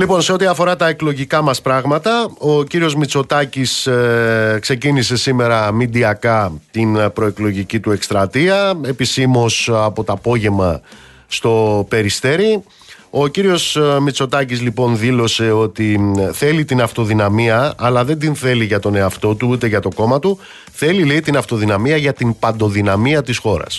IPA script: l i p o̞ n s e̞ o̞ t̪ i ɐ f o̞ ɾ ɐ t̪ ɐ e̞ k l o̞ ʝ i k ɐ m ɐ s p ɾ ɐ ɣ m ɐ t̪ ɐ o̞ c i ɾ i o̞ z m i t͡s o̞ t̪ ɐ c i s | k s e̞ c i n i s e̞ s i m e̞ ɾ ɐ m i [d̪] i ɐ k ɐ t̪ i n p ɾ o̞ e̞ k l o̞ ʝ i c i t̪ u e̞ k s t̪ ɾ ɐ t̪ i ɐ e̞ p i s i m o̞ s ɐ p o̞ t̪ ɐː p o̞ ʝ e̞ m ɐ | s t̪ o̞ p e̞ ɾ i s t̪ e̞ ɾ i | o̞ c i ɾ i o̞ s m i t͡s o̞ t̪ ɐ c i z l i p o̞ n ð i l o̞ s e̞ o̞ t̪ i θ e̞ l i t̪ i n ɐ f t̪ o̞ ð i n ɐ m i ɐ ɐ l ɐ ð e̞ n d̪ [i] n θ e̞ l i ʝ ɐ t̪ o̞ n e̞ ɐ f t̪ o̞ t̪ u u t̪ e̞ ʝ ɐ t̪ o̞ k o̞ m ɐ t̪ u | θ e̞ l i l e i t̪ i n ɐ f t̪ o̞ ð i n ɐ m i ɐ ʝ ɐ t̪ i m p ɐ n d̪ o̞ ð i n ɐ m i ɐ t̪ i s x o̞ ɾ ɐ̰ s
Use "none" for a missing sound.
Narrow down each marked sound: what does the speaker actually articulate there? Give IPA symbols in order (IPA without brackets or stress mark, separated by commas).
d̪, i